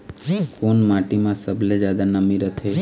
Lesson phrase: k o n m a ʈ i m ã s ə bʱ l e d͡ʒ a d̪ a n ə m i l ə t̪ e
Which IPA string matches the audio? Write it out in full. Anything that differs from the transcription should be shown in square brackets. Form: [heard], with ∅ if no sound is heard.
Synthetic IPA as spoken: k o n m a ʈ i m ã s ə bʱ l e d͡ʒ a d̪ a n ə m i [ɾ] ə [t̪ʰ] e